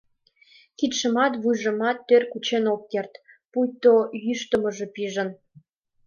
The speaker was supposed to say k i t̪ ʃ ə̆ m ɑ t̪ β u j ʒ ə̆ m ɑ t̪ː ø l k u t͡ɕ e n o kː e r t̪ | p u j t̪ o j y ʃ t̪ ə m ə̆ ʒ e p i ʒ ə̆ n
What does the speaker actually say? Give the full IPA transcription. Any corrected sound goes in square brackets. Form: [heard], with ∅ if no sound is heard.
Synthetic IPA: k i t̪ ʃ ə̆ m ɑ t̪ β u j ʒ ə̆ m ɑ t̪ː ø [r] k u t͡ɕ e n o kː e r t̪ | p u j t̪ o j y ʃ t̪ ə m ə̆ ʒ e p i ʒ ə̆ n